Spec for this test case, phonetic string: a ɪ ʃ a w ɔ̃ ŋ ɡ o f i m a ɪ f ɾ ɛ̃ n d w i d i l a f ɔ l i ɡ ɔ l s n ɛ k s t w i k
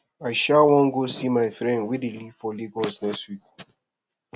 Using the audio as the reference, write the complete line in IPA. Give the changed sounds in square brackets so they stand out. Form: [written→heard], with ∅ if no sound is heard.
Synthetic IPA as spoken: a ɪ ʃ a w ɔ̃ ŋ ɡ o [f→s] i m a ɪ f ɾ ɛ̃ n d w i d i l [a→i] f ɔ l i ɡ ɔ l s n ɛ k s t w i k